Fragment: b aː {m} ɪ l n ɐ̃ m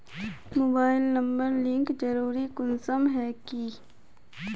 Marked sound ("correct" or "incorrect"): incorrect